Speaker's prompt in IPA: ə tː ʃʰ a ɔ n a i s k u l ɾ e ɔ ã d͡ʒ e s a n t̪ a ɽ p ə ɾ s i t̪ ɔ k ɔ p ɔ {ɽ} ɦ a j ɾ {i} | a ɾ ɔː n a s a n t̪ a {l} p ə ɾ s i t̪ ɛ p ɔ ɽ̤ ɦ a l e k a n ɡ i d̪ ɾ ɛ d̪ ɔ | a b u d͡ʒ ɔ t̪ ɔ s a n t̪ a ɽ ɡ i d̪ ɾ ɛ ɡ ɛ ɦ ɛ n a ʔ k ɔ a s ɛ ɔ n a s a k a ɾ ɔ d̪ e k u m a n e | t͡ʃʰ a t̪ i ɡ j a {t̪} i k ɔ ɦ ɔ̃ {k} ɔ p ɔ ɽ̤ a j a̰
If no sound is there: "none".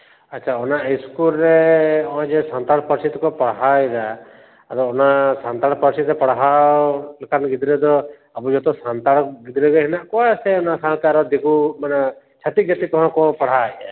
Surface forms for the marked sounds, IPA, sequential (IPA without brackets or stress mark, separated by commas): ɽ, a, ɽ, t̪, k